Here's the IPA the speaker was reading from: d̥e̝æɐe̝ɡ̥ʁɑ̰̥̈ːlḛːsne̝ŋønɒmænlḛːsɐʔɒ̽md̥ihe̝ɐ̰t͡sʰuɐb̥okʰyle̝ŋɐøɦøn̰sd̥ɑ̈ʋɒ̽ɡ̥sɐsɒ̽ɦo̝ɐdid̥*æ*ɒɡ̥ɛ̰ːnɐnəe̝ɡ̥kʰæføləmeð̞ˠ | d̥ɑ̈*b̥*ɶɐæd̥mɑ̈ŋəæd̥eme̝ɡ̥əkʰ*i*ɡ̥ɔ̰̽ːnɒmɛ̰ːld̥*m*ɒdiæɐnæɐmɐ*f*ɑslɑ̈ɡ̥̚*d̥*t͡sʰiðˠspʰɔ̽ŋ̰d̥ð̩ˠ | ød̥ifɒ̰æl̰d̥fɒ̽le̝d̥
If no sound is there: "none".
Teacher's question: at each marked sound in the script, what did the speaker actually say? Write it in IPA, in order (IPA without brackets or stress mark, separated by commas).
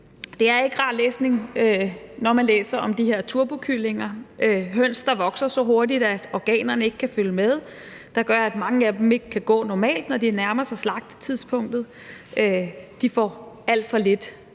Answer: æ, ɡ̥, æ, n, s, d̥